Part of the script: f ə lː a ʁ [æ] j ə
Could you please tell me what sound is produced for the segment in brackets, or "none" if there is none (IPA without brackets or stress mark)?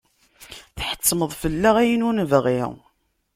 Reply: æ